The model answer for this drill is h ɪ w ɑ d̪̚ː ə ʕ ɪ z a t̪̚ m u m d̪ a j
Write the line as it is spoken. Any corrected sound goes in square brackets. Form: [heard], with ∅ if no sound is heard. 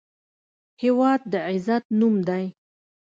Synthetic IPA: h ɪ w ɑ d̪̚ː ə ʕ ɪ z a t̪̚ [n] u m d̪ a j